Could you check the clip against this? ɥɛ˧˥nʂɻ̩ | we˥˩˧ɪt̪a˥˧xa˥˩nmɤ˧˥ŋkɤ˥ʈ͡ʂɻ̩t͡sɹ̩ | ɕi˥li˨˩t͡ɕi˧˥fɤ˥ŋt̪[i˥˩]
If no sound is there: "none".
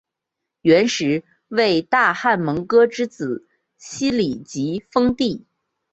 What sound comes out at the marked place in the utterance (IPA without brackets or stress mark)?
i˥˩